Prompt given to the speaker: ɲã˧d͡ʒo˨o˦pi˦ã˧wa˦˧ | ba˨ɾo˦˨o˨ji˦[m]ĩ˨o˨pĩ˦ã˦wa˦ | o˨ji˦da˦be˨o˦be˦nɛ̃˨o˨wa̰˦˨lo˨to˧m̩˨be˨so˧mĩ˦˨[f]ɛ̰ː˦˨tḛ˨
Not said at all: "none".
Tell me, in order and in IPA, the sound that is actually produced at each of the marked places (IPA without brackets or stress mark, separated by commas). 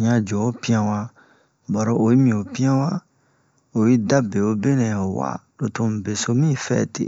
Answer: m, f